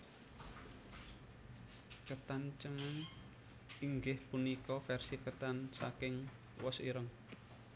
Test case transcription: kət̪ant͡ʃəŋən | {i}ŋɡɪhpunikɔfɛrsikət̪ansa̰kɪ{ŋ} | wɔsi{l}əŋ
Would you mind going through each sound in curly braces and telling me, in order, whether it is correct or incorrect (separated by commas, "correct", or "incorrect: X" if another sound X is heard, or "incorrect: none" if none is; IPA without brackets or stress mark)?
correct, correct, incorrect: ɾ